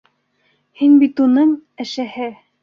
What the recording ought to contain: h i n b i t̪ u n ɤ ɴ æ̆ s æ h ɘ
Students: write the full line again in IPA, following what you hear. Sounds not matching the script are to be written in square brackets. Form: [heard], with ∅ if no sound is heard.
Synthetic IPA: h i n b i t̪ u n ɤ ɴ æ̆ [ʃ] æ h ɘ